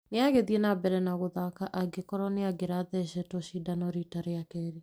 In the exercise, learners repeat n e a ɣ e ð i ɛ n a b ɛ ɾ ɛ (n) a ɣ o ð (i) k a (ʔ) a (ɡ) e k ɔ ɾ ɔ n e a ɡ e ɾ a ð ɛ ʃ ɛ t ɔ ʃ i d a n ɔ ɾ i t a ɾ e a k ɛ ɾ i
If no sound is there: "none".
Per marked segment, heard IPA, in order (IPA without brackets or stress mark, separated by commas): n, a, ʔ, ɡ